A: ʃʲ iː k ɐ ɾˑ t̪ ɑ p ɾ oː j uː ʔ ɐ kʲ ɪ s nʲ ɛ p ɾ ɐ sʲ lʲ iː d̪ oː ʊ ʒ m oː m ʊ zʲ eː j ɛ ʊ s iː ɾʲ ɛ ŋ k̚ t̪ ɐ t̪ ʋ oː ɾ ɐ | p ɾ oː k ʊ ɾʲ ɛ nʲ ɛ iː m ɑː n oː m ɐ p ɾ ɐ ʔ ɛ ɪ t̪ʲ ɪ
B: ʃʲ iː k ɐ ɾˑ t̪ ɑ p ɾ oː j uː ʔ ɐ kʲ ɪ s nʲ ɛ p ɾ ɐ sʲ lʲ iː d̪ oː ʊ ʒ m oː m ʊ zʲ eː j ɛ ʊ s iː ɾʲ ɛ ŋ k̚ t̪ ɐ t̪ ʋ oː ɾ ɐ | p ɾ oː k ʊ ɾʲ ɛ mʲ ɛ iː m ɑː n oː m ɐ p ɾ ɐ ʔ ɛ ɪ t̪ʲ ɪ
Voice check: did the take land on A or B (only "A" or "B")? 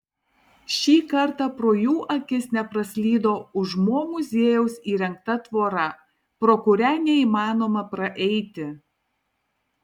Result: A